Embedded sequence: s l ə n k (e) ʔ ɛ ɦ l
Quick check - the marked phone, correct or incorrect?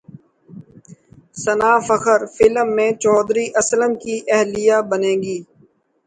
incorrect